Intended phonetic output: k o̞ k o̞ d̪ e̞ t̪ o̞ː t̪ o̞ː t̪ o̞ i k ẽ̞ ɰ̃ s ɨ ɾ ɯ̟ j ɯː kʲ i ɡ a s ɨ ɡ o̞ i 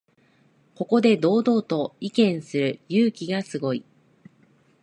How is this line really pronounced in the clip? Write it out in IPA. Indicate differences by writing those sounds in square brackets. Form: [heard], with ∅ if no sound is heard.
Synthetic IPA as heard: k o̞ k o̞ d̪ e̞ [d̪] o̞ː [d̪] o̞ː t̪ o̞ i k ẽ̞ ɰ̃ s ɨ ɾ ɯ̟ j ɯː kʲ i ɡ a s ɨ ɡ o̞ i